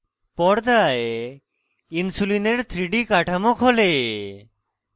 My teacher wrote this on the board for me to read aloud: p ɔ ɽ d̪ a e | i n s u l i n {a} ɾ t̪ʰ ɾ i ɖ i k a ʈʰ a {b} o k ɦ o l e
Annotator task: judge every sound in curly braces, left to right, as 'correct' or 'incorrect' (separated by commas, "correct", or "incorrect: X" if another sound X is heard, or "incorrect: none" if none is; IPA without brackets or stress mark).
incorrect: e, incorrect: m